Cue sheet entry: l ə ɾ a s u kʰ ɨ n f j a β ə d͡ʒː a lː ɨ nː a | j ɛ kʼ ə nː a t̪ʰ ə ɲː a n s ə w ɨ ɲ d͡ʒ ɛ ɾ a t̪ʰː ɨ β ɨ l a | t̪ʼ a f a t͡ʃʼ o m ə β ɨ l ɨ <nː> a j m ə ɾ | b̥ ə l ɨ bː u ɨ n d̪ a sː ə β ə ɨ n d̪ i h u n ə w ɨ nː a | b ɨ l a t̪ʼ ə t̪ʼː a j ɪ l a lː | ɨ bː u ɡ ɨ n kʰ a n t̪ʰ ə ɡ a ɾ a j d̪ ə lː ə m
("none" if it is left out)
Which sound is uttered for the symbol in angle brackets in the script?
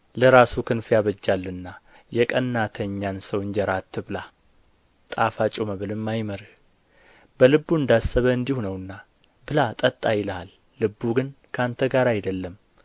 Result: mː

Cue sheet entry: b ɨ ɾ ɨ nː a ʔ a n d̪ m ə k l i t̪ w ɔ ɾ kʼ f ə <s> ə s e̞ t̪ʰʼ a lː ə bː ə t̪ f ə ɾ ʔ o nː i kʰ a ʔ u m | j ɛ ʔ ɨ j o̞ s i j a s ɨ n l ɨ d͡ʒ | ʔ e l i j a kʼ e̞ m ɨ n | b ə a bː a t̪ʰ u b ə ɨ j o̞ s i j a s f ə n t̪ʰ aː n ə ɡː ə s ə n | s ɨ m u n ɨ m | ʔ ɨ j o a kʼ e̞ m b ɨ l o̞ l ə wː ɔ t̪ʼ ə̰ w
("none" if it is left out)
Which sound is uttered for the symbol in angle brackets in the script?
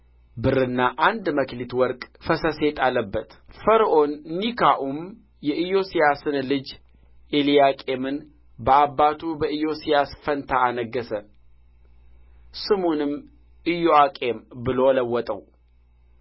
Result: s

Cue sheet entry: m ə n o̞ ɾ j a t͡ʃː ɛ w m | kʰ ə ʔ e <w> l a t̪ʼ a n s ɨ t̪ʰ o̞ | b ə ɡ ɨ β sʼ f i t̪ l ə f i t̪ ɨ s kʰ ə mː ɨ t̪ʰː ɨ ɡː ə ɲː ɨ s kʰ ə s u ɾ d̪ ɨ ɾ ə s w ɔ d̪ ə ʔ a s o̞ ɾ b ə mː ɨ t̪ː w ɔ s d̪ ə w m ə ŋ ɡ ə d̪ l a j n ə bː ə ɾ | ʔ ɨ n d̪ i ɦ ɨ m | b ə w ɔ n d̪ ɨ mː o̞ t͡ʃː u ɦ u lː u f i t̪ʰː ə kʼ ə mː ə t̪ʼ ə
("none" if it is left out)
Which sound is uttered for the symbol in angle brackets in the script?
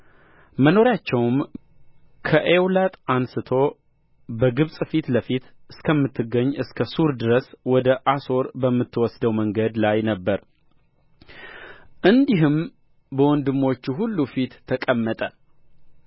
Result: w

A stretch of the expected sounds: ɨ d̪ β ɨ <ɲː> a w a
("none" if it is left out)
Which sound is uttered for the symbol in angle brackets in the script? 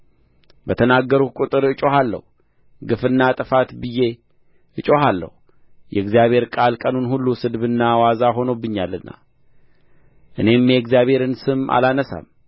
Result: nː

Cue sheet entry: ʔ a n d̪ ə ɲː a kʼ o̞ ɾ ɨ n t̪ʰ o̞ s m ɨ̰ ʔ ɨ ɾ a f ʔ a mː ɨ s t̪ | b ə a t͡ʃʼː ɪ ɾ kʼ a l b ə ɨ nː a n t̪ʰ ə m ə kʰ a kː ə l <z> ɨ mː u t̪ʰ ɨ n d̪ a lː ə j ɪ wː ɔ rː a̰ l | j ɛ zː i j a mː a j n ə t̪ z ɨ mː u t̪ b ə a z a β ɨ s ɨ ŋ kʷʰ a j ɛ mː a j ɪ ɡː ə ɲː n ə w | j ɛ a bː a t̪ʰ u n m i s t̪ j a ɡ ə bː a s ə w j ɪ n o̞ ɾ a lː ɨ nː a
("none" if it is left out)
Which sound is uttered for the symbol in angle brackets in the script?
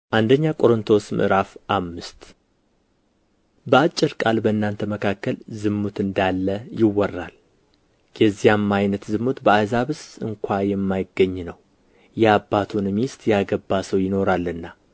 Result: z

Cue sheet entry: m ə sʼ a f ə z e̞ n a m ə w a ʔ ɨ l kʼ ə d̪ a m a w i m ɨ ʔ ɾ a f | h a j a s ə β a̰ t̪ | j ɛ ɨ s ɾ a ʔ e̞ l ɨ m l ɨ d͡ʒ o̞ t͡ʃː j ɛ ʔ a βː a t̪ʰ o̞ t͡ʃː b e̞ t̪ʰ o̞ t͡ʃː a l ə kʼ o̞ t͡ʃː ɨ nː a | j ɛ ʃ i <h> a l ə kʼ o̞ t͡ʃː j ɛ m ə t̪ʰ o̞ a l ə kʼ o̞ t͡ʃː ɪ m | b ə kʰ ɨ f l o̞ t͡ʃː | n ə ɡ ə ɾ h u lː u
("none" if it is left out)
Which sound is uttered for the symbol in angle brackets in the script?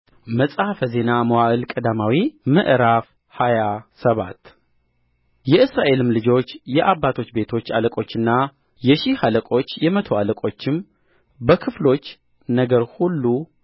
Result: h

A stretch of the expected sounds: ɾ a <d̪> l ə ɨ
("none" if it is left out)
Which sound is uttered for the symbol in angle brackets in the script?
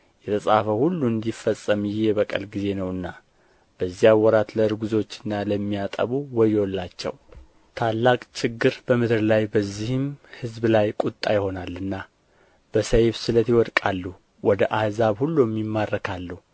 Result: t̪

